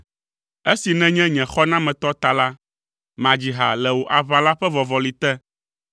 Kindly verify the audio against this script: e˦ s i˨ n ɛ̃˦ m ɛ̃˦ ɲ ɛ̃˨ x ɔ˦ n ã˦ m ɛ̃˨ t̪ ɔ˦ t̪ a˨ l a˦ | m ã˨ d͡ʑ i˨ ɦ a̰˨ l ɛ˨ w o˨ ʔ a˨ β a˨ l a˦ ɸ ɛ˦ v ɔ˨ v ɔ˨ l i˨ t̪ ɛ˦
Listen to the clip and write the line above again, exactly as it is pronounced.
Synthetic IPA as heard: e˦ s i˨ n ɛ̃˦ ɲ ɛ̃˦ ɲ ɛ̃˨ x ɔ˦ n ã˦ m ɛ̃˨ t̪ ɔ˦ t̪ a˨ l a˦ | m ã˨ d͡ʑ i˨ ɦ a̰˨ l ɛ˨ w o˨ ʔ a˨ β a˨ l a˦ ɸ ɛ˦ v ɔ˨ v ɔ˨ l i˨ t̪ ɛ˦